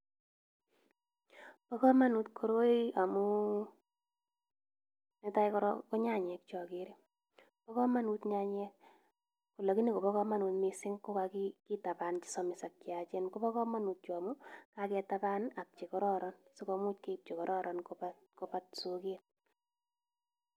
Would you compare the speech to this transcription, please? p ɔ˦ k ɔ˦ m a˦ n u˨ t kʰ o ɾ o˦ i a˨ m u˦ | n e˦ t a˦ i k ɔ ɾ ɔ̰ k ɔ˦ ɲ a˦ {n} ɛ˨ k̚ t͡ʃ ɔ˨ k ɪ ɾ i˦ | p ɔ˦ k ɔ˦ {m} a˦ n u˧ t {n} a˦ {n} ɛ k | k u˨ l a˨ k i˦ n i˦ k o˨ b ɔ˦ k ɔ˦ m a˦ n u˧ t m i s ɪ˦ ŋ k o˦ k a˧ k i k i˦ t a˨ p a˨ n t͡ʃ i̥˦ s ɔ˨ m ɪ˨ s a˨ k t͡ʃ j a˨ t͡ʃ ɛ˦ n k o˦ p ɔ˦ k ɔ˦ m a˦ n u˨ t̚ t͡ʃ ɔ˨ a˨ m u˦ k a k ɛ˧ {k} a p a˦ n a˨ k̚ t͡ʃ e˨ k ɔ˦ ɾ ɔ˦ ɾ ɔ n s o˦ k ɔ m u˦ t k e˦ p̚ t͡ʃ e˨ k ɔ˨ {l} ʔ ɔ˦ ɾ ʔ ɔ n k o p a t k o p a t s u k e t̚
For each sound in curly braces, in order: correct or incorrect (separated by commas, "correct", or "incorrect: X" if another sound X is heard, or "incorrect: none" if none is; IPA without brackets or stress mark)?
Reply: incorrect: ɲ, correct, incorrect: ɲ, incorrect: ɲ, incorrect: t, incorrect: ɾ